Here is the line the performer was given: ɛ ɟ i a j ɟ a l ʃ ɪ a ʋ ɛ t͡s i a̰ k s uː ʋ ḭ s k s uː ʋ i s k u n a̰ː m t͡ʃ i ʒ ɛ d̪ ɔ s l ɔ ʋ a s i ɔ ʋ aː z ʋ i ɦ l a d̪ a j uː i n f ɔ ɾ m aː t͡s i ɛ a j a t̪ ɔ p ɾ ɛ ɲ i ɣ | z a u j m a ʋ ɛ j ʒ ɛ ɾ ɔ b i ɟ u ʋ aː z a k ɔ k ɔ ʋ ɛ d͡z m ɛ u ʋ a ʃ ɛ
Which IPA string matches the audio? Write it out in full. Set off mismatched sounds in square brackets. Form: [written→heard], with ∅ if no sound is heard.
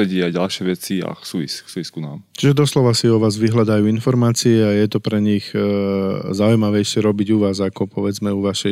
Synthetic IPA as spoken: ɛ ɟ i a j ɟ a l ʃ ɪ [a→ɛ] ʋ ɛ t͡s i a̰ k s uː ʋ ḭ s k s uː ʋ i s k u n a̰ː m t͡ʃ i ʒ ɛ d̪ ɔ s l ɔ ʋ a s i ɔ ʋ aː z ʋ i ɦ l a d̪ a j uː i n f ɔ ɾ m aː t͡s i ɛ a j [a→ɛ] t̪ ɔ p ɾ ɛ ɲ i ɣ | z a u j m a ʋ ɛ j [ʒ→ʃ] ɛ ɾ ɔ b i ɟ u ʋ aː z a k ɔ [k→p] ɔ ʋ ɛ d͡z m ɛ u ʋ a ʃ ɛ